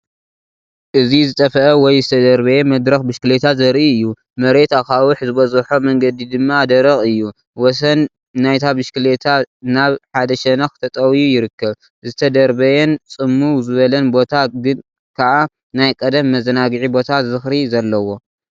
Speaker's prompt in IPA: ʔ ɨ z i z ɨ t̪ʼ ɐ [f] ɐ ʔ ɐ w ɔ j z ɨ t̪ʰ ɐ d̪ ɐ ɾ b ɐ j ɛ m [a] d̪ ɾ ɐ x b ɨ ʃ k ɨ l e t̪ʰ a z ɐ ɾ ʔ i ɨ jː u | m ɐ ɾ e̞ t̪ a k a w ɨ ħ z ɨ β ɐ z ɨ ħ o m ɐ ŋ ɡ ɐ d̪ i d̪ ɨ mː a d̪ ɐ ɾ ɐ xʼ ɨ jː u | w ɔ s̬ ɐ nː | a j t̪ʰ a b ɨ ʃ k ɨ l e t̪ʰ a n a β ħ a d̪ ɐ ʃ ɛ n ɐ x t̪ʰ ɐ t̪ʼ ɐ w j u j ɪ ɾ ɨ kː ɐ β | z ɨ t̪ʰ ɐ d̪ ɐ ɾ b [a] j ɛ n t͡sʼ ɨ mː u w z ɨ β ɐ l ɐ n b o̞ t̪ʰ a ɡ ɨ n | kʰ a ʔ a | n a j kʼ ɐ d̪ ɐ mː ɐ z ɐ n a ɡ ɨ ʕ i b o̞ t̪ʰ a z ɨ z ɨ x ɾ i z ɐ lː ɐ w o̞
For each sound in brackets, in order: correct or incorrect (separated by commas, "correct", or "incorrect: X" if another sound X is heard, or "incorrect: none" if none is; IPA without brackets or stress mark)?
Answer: correct, incorrect: ɐ, incorrect: ɐ